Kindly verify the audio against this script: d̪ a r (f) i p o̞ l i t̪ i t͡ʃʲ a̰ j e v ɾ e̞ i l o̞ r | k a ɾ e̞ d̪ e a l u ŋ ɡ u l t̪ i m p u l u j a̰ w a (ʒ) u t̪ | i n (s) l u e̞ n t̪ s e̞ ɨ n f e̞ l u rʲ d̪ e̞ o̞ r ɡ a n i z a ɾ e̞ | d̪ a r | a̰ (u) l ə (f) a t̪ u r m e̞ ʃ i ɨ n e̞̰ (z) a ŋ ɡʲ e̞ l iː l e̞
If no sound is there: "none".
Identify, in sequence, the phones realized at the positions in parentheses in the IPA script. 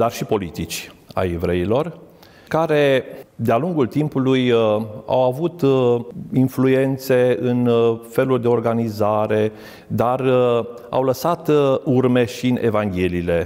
ʃ, v, f, w, s, v

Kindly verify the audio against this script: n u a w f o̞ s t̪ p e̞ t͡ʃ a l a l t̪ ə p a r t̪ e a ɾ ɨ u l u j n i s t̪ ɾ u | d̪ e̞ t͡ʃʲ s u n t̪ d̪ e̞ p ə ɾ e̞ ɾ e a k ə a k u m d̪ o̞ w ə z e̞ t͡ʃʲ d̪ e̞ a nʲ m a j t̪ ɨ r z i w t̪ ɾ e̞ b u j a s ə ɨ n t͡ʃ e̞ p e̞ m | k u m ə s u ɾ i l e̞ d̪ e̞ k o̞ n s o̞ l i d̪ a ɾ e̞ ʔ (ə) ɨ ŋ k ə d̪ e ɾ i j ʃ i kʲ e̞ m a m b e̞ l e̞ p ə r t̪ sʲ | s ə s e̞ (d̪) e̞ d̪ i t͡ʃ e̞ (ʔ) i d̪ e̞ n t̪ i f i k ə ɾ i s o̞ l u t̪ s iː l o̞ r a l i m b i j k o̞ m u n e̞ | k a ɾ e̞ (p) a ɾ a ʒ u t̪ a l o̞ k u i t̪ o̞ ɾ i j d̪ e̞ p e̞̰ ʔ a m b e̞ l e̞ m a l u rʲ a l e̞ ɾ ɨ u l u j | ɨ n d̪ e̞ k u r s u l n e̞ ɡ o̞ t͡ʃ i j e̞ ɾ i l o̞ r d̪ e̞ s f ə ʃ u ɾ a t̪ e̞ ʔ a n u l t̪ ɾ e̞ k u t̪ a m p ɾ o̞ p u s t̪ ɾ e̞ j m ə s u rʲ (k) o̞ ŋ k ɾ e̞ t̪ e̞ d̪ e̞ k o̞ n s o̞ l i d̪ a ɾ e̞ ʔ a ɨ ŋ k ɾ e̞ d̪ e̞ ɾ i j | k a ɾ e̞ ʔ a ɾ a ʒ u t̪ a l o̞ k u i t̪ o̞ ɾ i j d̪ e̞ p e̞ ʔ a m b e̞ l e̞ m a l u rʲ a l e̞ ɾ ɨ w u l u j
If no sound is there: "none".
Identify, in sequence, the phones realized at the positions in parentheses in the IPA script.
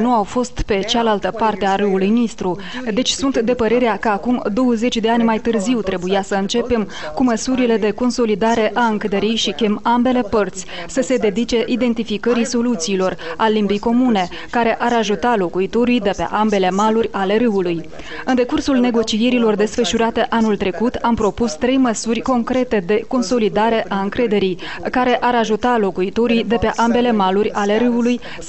a, d̪, ʔ, ʔ, k

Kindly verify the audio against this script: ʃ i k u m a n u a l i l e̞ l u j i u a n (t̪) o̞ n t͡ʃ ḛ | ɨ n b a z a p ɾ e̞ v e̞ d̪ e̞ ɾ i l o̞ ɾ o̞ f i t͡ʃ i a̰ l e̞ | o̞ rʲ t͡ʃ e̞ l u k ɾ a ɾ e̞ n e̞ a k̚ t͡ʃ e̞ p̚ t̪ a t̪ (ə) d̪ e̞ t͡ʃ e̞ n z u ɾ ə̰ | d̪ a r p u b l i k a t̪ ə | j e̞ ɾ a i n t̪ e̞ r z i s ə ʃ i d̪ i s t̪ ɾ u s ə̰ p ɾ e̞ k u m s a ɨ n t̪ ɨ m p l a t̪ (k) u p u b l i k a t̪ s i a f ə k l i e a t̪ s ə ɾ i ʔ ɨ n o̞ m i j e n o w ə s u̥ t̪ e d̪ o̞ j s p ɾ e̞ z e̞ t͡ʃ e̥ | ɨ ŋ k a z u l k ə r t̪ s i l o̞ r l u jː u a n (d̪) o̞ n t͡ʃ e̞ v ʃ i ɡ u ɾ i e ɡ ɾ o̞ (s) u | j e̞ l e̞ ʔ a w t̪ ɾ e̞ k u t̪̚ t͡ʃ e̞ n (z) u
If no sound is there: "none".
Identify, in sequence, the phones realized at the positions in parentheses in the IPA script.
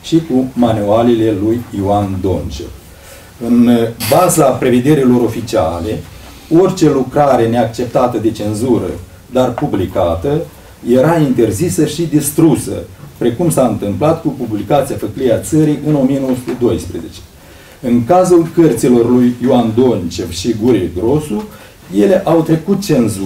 d̪, ə, k, d̪, s, z

